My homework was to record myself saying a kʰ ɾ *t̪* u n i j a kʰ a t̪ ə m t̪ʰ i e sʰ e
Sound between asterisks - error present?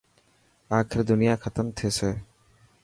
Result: yes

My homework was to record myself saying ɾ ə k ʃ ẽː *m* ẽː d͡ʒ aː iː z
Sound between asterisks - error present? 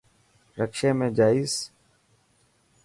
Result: no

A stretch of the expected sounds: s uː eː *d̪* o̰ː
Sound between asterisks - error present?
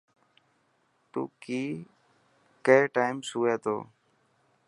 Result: yes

